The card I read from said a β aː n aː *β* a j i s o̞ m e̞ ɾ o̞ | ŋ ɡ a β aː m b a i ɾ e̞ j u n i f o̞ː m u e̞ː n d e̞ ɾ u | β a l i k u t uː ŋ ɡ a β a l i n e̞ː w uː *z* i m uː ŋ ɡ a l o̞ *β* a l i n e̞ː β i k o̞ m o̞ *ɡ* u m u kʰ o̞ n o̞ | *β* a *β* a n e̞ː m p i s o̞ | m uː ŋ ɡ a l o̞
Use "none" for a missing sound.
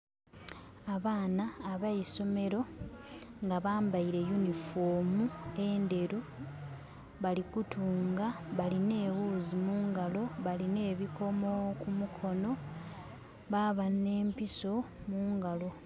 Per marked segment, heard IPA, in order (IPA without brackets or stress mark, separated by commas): β, z, β, k, β, β